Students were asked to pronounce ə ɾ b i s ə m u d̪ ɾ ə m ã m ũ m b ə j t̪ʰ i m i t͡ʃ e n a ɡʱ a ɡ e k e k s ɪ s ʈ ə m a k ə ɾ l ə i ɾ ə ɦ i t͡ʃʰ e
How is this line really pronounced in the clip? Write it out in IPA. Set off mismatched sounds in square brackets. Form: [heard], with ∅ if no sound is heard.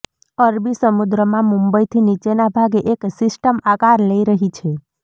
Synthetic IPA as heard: ə ɾ b i s ə m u d̪ ɾ ə m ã m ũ m b ə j t̪ʰ i [n] i t͡ʃ e n a [bʱ] a ɡ e [ʔ] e k s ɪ s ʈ ə m a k [a] ɾ l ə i ɾ ə ɦ i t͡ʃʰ e